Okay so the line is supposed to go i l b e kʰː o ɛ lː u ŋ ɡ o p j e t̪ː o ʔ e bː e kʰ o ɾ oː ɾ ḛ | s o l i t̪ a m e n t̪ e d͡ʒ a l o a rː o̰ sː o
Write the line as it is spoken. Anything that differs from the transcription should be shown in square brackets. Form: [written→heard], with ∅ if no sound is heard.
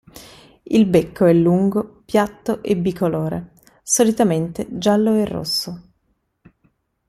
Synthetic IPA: i l b e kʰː o ɛ lː u ŋ ɡ o p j [e→a] t̪ː o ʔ e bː [e→i] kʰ o [ɾ→l] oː ɾ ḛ | s o l i t̪ a m e n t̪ e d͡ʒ a [l→lː] o [a→e] rː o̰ sː o